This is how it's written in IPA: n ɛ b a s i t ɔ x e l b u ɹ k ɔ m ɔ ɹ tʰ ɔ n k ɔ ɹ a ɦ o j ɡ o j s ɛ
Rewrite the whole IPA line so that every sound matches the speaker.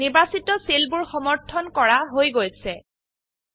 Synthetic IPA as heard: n i b a s i t ɔ s e l b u ɹ x ɔ m ɔ ɹ tʰ ɔ n k ɔ ɹ a ɦ o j ɡ o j s ɛ